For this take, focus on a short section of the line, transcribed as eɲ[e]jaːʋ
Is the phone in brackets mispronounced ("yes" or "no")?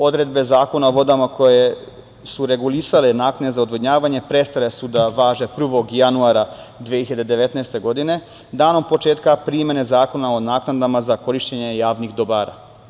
no